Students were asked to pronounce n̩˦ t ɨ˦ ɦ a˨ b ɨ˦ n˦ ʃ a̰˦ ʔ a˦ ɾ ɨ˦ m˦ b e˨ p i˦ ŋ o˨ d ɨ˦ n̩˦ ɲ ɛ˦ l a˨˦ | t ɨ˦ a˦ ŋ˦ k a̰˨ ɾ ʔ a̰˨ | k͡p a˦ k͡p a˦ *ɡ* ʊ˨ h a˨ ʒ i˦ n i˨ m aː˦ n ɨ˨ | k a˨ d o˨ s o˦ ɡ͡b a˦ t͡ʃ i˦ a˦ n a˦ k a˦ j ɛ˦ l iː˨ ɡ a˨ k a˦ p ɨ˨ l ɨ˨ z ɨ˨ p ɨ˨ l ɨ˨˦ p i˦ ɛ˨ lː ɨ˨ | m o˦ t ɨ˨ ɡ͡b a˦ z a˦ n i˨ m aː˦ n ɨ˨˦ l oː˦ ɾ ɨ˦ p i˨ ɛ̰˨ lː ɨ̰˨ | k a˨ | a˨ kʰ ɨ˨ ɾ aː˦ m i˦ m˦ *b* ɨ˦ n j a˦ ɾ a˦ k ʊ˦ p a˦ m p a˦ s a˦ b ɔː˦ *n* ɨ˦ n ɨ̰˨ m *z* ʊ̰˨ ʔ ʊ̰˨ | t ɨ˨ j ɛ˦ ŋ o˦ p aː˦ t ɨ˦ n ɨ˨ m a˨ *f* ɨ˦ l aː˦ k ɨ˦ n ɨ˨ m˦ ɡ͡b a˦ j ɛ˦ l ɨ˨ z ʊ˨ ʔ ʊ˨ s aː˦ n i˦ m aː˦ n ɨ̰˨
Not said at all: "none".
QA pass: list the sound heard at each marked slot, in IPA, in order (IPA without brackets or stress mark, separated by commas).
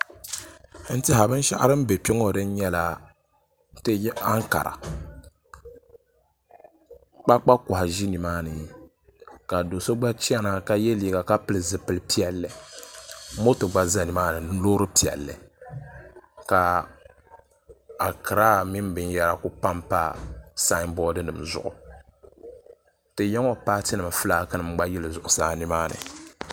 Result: k, b, d, z, f